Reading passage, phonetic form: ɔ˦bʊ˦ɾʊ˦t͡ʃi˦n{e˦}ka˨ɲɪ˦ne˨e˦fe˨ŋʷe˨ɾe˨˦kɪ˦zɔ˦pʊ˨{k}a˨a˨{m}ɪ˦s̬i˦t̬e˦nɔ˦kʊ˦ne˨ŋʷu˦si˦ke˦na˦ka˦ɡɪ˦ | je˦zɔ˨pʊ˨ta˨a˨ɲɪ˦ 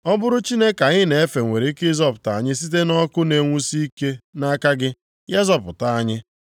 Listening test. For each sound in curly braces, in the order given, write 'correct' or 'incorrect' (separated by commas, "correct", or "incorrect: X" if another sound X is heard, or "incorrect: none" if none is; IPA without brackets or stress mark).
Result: correct, incorrect: t, incorrect: ɲ